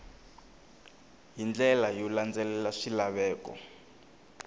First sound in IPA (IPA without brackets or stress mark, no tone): ɦ